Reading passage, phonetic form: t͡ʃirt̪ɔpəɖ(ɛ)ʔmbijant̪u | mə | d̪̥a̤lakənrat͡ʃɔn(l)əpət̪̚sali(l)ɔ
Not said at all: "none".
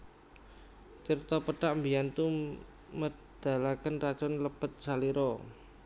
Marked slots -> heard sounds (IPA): a, l, ɾ

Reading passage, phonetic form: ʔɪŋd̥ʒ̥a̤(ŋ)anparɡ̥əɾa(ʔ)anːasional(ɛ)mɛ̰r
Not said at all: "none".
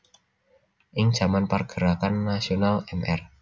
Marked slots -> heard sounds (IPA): m, k, ɛ

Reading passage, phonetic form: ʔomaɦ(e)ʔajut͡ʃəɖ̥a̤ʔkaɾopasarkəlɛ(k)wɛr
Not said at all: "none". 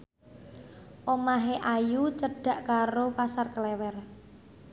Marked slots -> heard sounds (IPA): e, none

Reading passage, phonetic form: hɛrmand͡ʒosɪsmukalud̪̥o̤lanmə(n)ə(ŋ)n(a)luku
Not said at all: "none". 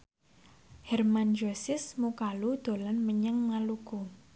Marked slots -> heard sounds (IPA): ɲ, ŋ, a

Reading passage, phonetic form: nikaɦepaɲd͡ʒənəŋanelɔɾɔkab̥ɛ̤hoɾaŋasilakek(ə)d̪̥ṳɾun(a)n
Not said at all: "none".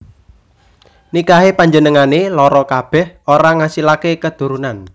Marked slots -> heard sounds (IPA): ə, a

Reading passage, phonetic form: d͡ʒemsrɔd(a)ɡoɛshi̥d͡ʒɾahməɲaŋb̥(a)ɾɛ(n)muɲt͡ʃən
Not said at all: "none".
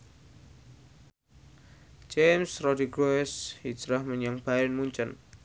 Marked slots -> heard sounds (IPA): i, a, n

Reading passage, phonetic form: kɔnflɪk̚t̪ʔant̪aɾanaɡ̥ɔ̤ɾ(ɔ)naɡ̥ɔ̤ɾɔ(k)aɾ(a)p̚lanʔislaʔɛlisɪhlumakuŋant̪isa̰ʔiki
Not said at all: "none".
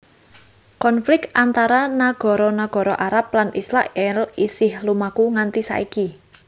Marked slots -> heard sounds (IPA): ɔ, ʔ, a

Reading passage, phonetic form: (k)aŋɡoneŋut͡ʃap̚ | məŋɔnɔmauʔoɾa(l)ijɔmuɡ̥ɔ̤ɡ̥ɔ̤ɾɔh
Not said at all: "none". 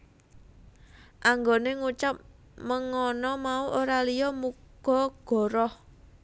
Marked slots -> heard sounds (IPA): ʔ, l

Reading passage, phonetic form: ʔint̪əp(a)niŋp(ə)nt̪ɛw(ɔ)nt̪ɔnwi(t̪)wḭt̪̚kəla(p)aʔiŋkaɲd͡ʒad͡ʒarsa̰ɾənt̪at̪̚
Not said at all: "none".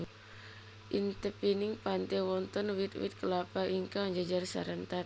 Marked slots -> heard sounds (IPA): i, a, ɔ, t̪, p

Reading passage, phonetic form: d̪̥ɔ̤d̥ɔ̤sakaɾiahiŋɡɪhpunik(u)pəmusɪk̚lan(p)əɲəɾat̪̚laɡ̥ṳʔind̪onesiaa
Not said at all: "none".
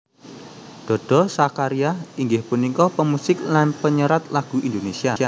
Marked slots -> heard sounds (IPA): ɔ, p

